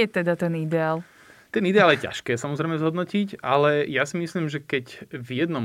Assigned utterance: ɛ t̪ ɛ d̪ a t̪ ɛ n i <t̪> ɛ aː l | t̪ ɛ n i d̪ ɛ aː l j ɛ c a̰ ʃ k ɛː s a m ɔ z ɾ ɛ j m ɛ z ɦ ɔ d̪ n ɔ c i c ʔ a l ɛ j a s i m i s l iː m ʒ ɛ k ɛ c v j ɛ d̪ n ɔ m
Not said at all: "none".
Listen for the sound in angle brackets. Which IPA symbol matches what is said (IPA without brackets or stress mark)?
d̪